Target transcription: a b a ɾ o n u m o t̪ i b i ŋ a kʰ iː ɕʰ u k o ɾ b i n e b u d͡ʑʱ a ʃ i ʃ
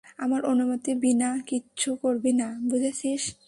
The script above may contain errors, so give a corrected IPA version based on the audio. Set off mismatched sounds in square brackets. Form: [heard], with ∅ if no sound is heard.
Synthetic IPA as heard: a [m] a ɾ o n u m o t̪ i b i [n] a [k] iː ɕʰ u k o ɾ b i n [a] b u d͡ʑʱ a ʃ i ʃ

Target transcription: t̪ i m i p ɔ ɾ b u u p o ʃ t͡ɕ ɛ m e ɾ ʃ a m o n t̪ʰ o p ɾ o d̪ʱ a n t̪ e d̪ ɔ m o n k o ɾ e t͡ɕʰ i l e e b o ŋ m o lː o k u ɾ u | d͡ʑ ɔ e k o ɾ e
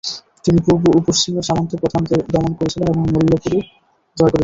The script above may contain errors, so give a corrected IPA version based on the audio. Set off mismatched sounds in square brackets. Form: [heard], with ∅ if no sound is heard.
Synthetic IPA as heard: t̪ i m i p [u] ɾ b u u p o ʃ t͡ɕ [i] m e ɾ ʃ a m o n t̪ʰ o p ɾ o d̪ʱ a n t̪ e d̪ ɔ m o n k o ɾ e t͡ɕʰ i l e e b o ŋ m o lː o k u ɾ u | d͡ʑ ɔ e k o ɾ e

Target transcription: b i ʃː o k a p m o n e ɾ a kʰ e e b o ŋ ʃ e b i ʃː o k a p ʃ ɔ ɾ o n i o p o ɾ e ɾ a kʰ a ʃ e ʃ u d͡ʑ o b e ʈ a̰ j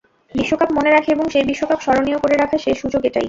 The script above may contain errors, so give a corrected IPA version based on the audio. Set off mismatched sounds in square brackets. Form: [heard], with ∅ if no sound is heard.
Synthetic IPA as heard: b i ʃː o k a p m o n e ɾ a kʰ e e b o ŋ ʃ e b i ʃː o k a p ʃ ɔ ɾ o n i o [k] o ɾ e ɾ a kʰ a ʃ e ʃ u d͡ʑ o [ɡ] e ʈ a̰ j

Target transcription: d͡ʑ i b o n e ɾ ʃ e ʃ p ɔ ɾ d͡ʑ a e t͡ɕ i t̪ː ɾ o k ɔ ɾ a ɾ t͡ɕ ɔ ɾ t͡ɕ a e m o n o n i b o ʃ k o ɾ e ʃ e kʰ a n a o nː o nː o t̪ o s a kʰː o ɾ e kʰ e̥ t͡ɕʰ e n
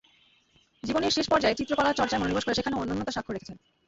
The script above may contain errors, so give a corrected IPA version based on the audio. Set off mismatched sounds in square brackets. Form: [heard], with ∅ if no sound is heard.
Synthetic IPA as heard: d͡ʑ i b o n e ɾ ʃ e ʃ p ɔ ɾ d͡ʑ a e t͡ɕ i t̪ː ɾ o k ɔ [l] a ɾ t͡ɕ ɔ ɾ t͡ɕ a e m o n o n i b o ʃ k o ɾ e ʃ e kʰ a n [e] o nː o nː o t̪ o [ʃ] a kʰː o ɾ e kʰ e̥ t͡ɕʰ e n

